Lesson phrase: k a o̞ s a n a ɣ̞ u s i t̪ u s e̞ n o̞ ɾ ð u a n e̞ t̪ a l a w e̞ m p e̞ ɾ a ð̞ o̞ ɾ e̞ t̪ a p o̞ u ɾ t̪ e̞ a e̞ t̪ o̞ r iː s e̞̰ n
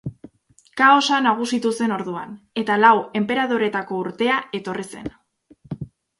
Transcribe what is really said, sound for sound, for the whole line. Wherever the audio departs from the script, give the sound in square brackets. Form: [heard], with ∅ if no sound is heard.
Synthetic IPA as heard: k a o̞ s a n a ɣ̞ u s i t̪ u s e̞ n o̞ ɾ ð u a n e̞ t̪ a l a w e̞ m p e̞ ɾ a ð̞ o̞ ɾ e̞ t̪ a [k] o̞ u ɾ t̪ e̞ a e̞ t̪ o̞ r [i] s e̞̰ n